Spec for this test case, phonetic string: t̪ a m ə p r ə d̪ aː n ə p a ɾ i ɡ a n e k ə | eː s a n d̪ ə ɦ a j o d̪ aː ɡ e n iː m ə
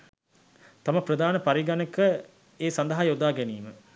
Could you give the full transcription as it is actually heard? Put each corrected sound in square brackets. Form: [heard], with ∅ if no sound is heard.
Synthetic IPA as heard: t̪ a m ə p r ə d̪ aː n ə p a ɾ i ɡ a n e k ə | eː s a n d̪ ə ɦ a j o d̪ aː ɡ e n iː m ə